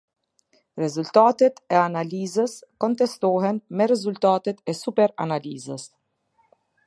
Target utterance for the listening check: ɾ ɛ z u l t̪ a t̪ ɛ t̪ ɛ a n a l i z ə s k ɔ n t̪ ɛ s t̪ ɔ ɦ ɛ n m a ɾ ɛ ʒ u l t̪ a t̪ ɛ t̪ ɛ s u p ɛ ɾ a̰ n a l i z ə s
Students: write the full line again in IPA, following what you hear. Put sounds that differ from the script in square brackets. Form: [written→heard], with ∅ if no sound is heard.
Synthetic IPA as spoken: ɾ ɛ z u l t̪ a t̪ ɛ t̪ ɛ a n a l i z ə s k ɔ n t̪ ɛ s t̪ ɔ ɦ ɛ n m [a→ɛ] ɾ ɛ [ʒ→z] u l t̪ a t̪ ɛ t̪ ɛ s u p ɛ ɾ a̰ n a l i z ə s

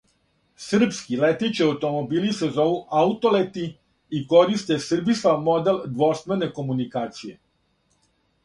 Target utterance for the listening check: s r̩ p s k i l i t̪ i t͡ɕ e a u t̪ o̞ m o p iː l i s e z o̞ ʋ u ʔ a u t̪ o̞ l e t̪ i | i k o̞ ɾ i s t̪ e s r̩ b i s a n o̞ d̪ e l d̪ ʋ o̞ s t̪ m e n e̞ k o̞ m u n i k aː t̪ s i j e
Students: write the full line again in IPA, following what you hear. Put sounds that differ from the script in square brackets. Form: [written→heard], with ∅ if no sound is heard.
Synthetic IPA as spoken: s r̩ p s k i l [i→e] t̪ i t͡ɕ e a u t̪ o̞ m o [p→b] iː l i s e z o̞ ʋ u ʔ a u t̪ o̞ l e t̪ i | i k o̞ ɾ i s t̪ e s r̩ b i s a [n→m] o̞ d̪ e l d̪ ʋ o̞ s t̪ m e n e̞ k o̞ m u n i k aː t̪ s i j e

